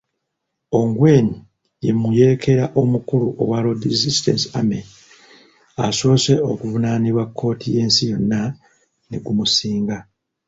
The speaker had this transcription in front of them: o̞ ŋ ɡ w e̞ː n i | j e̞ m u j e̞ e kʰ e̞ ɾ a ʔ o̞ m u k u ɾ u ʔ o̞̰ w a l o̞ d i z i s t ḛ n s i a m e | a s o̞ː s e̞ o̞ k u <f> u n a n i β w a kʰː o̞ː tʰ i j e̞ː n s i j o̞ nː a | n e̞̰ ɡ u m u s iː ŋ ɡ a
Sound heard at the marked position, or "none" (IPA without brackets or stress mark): v